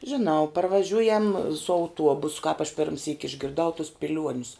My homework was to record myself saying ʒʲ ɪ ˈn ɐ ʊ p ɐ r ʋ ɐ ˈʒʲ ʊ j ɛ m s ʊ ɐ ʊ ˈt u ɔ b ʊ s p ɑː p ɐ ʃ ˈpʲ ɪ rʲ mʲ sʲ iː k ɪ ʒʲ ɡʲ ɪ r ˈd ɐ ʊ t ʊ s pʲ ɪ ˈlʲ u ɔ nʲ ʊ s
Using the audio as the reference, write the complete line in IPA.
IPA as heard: ʒʲ ɪ ˈn ɐ ʊ p ɐ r ʋ ɐ ˈʒʲ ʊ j ɛ m s ʊ ɐ ʊ ˈt u ɔ b ʊ s k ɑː p ɐ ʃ ˈpʲ ɪ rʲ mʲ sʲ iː k ɪ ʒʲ ɡʲ ɪ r ˈd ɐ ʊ t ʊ s pʲ ɪ ˈlʲ u ɔ nʲ ʊ s